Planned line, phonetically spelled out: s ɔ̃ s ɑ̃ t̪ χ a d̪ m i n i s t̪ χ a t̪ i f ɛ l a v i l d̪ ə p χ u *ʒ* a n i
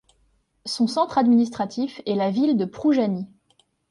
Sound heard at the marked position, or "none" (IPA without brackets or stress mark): ʒ